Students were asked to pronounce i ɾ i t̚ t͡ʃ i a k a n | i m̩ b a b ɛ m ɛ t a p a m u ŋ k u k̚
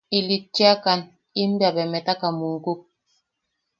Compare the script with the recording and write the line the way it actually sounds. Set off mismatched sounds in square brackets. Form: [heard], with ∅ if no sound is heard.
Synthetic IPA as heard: i [l] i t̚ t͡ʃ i a k a n | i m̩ b a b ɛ m ɛ t a [k] a m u ŋ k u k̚

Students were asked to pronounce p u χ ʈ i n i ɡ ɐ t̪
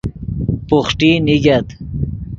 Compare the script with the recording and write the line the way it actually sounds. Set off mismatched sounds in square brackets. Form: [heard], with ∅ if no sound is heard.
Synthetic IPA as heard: p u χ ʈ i n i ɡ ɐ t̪

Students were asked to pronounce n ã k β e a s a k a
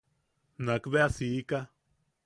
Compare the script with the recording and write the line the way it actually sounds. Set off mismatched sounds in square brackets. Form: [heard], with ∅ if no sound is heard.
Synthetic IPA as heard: n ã k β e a s [i] k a

